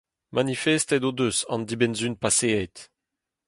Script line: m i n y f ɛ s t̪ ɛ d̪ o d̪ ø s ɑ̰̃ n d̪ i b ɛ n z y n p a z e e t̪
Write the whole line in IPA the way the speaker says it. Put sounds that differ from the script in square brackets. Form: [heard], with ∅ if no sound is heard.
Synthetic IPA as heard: m [a] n [i] f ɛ s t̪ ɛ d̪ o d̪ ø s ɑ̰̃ n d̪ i b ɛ n z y n p a [s] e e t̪